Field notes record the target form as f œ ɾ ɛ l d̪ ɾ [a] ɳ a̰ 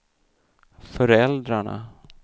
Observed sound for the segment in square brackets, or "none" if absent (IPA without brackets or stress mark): a